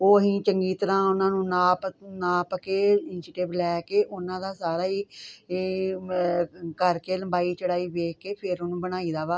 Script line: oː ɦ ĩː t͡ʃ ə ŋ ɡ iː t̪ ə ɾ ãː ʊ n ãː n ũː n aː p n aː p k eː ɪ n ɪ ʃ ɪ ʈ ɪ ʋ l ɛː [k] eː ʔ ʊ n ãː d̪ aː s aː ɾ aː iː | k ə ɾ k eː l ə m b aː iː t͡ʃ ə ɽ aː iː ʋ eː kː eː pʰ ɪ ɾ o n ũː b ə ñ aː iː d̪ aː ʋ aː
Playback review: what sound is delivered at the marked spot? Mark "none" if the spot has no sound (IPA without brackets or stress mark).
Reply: k